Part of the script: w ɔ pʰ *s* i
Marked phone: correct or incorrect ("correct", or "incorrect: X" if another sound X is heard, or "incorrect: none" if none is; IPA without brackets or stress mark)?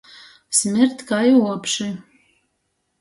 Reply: incorrect: ʂ